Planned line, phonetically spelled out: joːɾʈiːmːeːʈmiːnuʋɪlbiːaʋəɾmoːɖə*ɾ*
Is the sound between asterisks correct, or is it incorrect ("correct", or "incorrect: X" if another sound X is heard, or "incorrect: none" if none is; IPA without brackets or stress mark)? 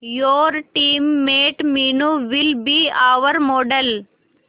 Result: incorrect: l